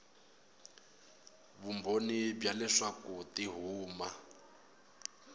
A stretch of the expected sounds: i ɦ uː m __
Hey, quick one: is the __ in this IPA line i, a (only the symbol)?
a